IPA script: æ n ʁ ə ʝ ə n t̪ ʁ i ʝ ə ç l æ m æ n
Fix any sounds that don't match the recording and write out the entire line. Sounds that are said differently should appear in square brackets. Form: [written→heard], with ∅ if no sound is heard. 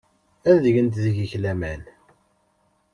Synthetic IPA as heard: æ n [ʁ→ð] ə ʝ ə n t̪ [ʁ→ð] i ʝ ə ç l æ m æ n